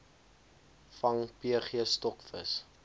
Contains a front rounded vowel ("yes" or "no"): no